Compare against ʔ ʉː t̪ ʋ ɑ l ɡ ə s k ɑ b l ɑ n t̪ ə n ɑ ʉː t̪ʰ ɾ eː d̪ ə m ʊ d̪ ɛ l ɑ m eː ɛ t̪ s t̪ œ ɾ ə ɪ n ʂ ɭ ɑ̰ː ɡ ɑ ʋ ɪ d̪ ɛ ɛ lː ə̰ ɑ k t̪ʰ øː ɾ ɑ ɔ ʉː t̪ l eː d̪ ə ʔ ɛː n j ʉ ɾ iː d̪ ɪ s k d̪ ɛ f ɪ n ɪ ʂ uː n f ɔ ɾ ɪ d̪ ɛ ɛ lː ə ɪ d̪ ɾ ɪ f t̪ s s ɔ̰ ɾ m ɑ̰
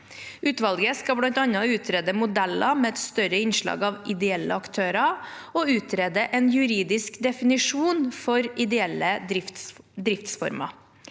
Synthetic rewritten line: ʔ ʉː t̪ ʋ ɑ l ɡ ə s k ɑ b l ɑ n t̪ ɑ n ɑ ʉː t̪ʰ ɾ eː d̪ ə m ʊ d̪ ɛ l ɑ m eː ɛ t̪ s t̪ œ ɾ ə ɪ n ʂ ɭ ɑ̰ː ɡ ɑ ʋ ɪ d̪ ɛ ɛ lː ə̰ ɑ k t̪ʰ øː ɾ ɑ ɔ ʉː t̪ ɾ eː d̪ ə ʔ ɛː n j ʉ ɾ iː d̪ ɪ s k d̪ ɛ f ɪ n ɪ ʂ uː n f ɔ ɾ ɪ d̪ ɛ ɛ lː ə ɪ d̪ ɾ ɪ f t̪ s f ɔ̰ ɾ m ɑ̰